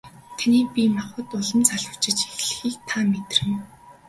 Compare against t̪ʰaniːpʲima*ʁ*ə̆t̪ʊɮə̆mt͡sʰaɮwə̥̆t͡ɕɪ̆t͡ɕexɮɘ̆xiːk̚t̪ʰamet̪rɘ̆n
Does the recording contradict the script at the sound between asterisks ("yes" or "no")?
yes